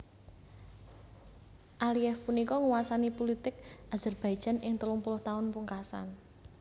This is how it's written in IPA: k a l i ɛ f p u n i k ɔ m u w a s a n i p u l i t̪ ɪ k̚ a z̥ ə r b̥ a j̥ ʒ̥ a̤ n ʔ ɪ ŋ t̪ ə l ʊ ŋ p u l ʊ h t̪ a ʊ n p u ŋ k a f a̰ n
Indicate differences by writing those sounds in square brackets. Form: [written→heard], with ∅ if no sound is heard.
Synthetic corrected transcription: [k→ʔ] a l i ɛ f p u n i k ɔ [m→ŋ] u w a s a n i p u l i t̪ ɪ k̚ a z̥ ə r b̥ a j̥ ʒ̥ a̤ n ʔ ɪ ŋ t̪ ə l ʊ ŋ p u l ʊ h t̪ a ʊ n p u ŋ k a [f→s] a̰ n